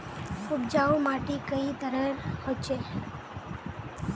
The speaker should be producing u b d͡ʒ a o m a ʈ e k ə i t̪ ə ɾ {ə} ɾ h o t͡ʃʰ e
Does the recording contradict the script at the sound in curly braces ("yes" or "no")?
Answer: no